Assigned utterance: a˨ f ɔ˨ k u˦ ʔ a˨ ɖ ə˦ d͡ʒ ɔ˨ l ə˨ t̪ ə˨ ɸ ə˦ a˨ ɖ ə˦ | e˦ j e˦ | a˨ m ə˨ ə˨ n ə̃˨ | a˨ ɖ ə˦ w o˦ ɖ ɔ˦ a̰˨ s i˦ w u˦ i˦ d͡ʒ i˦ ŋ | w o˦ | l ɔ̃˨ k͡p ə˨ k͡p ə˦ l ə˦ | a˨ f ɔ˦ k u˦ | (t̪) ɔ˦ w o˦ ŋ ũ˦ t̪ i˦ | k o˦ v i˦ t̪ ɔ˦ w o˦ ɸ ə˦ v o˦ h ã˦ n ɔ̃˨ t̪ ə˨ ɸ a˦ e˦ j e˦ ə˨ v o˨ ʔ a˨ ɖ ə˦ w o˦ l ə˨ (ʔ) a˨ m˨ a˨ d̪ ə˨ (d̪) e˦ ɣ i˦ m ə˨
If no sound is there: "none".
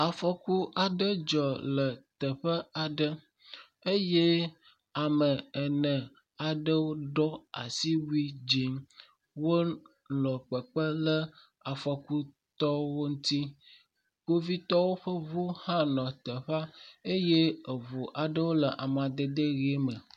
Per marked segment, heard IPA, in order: t̪, ʔ, d̪

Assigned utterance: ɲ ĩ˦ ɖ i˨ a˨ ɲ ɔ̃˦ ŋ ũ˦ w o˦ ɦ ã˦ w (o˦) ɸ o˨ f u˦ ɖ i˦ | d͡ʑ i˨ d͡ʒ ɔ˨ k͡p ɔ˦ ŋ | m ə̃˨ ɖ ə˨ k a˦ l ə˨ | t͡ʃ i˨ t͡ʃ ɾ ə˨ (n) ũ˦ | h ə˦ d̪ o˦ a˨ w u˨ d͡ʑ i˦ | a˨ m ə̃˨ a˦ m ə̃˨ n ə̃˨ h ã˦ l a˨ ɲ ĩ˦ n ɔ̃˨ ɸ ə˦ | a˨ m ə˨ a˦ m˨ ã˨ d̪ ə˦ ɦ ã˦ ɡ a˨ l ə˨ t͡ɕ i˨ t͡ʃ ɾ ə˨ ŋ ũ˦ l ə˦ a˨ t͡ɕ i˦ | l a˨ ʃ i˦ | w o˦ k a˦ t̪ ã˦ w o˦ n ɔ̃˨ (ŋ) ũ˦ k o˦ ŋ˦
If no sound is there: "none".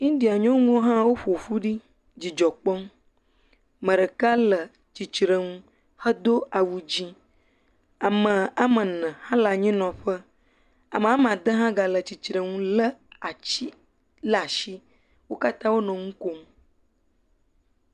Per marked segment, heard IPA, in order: o˦, ŋ, ŋ

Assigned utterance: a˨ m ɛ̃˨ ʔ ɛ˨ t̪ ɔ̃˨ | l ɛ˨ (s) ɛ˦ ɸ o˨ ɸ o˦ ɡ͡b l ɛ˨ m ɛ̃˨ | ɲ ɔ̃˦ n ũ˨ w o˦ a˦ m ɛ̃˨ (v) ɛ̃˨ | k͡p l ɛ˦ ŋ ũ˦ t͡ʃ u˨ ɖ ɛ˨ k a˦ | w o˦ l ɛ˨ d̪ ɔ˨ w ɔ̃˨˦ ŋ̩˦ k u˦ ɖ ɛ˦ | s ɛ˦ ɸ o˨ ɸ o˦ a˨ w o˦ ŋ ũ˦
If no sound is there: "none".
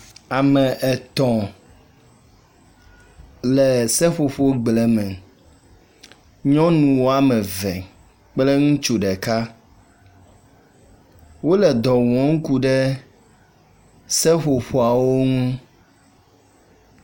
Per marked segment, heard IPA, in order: s, v

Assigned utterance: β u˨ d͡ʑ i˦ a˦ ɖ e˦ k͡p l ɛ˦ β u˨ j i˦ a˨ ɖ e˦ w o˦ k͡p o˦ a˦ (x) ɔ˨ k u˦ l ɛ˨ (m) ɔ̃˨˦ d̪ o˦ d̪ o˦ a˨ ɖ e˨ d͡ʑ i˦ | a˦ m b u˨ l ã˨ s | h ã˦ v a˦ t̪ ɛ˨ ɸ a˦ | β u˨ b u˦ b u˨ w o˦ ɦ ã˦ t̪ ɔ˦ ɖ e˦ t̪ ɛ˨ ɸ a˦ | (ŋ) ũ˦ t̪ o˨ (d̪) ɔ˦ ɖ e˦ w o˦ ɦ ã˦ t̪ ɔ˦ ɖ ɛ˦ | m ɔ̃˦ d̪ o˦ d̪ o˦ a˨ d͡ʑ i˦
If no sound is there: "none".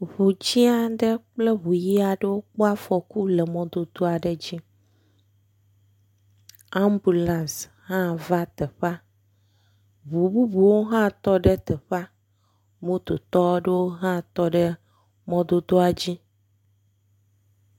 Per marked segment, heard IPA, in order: f, m, m, t̪

